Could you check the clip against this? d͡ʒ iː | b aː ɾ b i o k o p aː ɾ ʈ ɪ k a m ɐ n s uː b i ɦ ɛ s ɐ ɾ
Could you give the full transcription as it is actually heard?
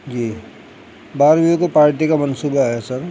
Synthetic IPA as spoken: d͡ʒ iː | b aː ɾ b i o k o p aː ɾ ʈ i k a m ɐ n s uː b a ɦ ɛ s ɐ ɾ